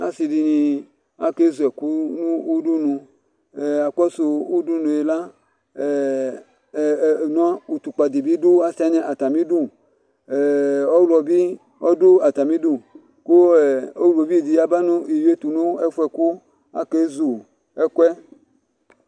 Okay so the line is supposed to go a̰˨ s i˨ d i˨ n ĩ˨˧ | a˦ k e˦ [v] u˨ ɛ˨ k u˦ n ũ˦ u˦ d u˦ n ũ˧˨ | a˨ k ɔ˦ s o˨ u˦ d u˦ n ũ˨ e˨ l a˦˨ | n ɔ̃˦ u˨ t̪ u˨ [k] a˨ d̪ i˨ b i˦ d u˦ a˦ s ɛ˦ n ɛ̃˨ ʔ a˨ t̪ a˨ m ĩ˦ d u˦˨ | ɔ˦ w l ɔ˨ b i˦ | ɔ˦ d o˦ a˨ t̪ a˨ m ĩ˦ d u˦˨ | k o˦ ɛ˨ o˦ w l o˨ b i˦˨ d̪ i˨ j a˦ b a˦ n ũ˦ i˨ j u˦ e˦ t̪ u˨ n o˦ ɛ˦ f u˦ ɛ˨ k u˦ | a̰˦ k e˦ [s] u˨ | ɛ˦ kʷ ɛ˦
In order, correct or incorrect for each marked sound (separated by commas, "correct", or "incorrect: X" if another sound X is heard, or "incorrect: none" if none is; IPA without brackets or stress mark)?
incorrect: z, incorrect: k͡p, incorrect: z